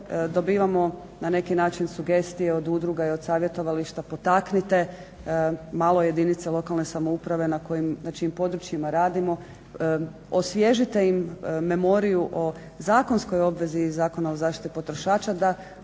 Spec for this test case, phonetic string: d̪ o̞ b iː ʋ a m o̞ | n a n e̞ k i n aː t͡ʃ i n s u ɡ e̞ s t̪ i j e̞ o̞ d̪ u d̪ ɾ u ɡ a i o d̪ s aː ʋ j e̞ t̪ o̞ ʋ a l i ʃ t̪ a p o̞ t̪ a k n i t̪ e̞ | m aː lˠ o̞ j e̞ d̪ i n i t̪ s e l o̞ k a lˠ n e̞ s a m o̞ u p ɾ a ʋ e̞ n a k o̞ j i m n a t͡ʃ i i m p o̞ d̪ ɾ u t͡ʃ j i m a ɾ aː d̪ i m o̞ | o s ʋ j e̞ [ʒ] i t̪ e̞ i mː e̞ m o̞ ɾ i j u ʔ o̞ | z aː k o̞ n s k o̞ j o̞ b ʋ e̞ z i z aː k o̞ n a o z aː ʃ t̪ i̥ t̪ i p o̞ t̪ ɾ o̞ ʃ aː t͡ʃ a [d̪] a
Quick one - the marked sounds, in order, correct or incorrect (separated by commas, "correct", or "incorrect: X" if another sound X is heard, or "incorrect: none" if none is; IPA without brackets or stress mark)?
correct, correct